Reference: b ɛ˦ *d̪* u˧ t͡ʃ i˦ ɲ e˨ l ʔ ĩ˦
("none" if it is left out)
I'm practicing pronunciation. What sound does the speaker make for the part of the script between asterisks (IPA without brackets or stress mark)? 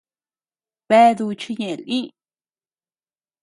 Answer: d̪